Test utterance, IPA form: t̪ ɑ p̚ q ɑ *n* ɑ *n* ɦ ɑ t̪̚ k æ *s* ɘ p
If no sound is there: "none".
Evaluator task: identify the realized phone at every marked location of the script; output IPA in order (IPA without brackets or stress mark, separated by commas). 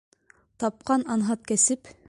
n, n, s